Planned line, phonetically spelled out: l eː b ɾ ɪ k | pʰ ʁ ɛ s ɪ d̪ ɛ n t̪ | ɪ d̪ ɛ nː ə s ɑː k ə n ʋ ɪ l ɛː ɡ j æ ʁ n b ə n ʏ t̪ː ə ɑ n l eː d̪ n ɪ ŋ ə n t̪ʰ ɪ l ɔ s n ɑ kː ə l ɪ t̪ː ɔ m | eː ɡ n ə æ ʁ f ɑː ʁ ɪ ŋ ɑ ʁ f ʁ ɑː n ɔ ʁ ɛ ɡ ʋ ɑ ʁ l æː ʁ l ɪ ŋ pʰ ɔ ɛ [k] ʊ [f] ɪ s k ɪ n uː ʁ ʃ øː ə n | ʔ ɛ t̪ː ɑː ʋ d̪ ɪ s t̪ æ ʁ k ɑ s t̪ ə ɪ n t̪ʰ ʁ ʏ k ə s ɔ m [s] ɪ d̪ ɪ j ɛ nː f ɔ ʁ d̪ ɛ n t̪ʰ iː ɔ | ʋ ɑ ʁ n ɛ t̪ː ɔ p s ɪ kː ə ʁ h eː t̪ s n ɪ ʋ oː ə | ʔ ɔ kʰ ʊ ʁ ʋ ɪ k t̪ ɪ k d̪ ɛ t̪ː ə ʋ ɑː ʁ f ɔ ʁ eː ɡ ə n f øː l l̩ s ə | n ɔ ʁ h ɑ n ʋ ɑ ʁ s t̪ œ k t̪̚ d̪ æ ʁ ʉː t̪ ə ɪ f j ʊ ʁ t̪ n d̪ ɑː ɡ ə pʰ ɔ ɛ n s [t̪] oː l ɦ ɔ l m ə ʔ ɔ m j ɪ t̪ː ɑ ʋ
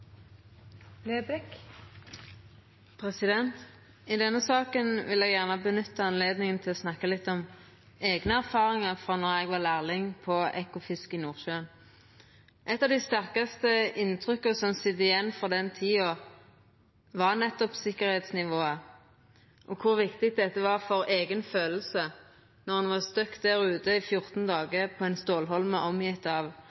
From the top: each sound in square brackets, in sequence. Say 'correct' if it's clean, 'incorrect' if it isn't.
correct, correct, correct, correct

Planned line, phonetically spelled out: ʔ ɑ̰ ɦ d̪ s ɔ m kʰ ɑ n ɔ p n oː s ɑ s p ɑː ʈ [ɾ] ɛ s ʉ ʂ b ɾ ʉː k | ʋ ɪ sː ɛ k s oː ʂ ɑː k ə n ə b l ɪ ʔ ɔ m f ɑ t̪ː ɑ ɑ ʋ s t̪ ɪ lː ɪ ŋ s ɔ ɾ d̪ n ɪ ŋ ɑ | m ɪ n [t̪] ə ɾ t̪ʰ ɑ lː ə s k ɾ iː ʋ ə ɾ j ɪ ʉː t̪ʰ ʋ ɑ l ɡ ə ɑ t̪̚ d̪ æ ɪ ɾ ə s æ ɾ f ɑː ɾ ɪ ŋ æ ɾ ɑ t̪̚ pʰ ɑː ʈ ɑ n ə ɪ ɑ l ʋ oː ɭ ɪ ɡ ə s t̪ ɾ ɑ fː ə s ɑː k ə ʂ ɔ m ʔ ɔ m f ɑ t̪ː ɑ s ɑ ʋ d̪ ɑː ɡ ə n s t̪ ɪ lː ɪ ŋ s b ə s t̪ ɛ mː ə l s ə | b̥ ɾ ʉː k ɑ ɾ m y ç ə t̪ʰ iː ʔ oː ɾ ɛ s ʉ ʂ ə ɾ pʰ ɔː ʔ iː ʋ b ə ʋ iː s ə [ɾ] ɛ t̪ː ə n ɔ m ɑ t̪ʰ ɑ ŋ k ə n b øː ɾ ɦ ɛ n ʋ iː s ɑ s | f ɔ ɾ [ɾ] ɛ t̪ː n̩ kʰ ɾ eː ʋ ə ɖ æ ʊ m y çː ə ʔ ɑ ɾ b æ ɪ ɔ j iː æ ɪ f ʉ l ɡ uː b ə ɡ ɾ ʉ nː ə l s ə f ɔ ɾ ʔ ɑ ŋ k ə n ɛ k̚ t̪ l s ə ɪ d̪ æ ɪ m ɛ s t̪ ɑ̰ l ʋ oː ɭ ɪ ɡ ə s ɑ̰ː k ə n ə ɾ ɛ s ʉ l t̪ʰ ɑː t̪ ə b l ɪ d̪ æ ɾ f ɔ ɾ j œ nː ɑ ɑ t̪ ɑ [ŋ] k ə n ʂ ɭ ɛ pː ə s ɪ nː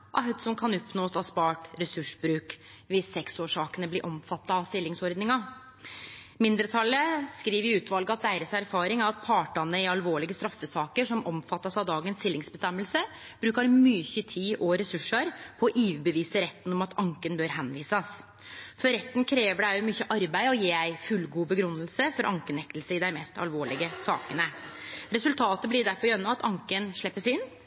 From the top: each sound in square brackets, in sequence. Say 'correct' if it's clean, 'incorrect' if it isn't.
correct, incorrect, correct, correct, correct

